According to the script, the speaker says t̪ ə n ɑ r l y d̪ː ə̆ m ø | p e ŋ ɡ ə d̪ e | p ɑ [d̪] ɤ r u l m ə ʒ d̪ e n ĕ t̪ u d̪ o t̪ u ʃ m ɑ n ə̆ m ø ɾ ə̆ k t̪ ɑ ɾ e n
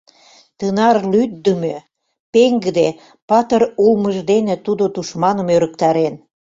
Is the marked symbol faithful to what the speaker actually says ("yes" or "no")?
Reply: no